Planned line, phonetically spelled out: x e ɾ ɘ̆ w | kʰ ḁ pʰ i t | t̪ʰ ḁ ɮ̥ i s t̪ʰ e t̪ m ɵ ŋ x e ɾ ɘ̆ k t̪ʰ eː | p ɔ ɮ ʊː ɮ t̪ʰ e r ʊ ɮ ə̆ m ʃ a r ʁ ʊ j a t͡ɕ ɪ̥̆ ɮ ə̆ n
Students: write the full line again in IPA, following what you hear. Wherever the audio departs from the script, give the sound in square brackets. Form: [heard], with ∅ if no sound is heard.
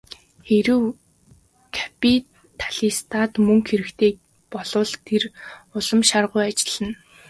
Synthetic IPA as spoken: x e ɾ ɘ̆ w | kʰ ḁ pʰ i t | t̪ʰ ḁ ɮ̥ i s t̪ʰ [a] t̪ m ɵ ŋ x e ɾ ɘ̆ k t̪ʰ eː | p ɔ ɮ ʊː ɮ t̪ʰ e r ʊ ɮ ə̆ m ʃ a r ʁ ʊ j a t͡ɕ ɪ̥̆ ɮ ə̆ n